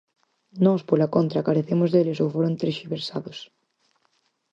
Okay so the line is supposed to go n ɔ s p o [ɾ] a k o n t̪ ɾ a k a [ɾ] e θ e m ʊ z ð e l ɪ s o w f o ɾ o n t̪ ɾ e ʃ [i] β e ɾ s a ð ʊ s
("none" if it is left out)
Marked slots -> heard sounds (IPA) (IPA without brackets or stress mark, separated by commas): l, ɾ, i